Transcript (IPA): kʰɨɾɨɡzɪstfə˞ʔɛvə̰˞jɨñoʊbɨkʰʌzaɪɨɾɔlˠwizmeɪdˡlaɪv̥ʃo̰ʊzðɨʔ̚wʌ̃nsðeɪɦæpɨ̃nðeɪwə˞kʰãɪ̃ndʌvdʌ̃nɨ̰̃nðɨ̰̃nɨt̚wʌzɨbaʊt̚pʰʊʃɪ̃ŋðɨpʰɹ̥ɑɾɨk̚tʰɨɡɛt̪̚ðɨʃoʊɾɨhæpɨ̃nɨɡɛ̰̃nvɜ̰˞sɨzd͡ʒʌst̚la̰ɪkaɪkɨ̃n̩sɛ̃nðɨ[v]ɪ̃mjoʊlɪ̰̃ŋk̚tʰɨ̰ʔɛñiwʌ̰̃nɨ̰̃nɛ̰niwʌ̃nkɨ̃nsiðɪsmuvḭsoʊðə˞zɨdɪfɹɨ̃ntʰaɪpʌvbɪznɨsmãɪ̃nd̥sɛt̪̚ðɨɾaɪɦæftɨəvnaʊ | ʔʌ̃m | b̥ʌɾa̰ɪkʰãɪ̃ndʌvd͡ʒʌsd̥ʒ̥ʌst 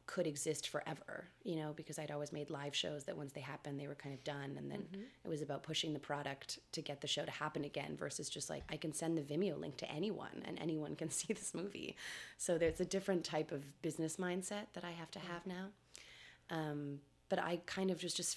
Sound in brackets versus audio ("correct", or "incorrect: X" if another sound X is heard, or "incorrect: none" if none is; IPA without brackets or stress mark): correct